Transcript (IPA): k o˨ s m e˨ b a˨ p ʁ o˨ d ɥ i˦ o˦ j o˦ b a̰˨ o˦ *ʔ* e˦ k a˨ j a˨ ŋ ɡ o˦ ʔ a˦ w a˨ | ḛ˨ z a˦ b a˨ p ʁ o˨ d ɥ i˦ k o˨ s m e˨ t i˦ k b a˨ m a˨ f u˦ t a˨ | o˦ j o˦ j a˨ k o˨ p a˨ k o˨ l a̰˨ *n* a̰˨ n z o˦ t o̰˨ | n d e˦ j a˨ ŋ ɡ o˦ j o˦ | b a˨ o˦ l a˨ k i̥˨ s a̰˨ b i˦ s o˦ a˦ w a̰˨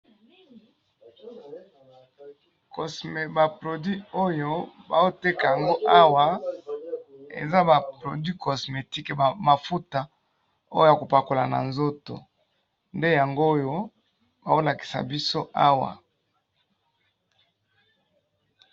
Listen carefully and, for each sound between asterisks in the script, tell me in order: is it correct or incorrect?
incorrect: t, correct

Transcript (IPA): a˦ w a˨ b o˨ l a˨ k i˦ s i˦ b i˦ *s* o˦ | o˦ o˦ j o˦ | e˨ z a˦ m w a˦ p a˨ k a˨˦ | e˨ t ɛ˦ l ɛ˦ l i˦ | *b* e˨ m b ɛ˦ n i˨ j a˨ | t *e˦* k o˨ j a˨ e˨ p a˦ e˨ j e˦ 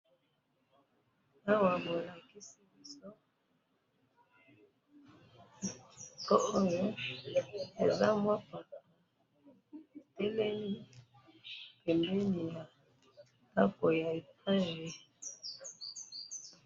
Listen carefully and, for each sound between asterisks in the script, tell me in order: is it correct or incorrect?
correct, incorrect: p, incorrect: a˦

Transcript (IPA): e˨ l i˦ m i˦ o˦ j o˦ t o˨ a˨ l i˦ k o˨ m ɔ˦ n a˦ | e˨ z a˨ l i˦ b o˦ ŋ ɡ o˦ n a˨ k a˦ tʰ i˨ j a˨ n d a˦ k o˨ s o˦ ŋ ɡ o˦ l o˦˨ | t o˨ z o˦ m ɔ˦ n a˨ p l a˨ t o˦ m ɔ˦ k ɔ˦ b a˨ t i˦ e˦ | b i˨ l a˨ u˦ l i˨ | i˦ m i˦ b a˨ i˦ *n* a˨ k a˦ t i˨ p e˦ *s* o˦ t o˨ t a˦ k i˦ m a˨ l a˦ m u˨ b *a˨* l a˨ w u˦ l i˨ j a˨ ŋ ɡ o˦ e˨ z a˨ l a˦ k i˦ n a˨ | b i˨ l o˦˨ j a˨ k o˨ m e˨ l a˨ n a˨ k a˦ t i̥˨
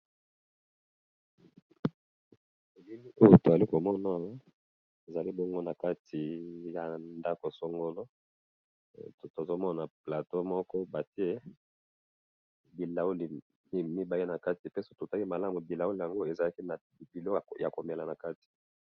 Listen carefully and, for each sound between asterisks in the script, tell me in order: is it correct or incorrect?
correct, correct, incorrect: i˨

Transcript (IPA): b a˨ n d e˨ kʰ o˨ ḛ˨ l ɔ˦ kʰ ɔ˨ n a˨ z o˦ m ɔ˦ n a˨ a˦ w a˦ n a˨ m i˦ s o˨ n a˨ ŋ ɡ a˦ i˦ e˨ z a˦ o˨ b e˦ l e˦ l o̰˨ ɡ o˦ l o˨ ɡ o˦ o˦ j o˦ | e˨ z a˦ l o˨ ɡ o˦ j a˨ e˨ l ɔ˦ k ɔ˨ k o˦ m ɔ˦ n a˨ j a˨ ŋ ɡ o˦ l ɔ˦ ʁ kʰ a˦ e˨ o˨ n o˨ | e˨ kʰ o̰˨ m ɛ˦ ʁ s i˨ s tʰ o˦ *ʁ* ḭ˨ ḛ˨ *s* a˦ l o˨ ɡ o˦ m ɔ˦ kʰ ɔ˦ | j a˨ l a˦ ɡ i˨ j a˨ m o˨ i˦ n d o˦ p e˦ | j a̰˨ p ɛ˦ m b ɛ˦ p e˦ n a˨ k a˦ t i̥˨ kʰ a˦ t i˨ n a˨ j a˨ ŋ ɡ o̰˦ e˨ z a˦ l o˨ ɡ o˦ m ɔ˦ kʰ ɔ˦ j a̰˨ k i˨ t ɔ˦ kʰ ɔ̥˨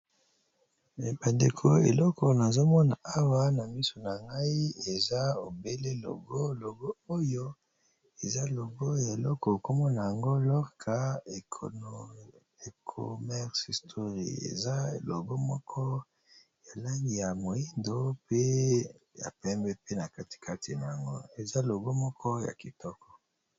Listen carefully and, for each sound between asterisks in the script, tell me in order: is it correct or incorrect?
correct, incorrect: z

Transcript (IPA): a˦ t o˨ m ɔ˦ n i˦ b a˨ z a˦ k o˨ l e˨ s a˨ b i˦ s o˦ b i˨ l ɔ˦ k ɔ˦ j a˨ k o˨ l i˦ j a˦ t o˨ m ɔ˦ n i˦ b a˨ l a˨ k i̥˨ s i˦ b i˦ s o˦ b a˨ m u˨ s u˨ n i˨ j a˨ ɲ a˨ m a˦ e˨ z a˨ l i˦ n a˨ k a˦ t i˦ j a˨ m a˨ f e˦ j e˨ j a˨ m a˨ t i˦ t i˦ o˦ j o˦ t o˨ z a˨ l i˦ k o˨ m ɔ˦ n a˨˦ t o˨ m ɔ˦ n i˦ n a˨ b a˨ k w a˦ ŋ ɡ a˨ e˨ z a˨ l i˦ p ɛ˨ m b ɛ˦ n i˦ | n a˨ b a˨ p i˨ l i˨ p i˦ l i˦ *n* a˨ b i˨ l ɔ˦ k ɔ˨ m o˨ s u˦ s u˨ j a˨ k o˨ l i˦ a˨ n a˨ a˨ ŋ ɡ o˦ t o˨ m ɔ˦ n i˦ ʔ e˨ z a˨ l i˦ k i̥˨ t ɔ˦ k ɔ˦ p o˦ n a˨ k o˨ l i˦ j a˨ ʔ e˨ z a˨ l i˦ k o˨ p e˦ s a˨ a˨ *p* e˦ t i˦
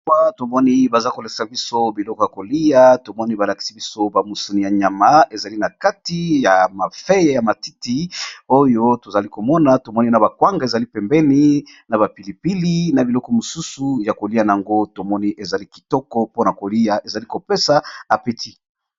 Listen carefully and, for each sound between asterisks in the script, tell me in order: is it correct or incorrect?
correct, correct

